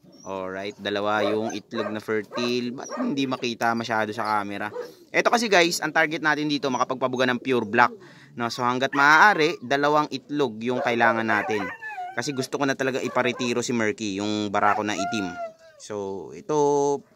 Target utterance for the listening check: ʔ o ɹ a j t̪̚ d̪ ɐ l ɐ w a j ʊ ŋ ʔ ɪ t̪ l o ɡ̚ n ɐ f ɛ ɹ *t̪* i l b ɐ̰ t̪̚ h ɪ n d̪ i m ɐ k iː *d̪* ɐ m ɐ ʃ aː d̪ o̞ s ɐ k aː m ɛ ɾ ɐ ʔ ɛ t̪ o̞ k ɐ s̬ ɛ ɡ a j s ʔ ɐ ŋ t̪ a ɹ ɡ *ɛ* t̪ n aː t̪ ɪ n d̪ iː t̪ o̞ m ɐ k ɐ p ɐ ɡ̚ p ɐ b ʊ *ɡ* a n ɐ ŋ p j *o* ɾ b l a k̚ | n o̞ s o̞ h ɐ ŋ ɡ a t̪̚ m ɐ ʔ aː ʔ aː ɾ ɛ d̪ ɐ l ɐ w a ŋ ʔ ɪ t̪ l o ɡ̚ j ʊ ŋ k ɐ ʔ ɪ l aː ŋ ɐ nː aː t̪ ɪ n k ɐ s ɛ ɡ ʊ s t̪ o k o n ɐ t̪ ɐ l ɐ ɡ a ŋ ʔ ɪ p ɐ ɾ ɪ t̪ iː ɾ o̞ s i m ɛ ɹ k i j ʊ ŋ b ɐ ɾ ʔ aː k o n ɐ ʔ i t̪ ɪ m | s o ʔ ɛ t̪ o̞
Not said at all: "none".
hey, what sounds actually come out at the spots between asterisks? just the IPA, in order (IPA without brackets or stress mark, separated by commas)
t̪, t̪, ɛ, ɡ, u